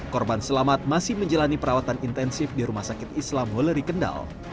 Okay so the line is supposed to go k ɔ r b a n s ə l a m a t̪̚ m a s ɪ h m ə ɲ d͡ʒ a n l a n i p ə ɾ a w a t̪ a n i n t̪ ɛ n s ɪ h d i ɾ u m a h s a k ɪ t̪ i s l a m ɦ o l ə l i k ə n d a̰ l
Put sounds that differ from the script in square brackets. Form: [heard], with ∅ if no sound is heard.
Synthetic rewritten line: k ɔ r b a n s ə l a m a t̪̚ m a s ɪ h m ə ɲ d͡ʒ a [∅] l a n i p ə ɾ a w a t̪ a n i n t̪ ɛ n s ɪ [f] d i ɾ u m a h s a k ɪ t̪ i s l a m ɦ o l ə [ɾ] i k ə n d a̰ l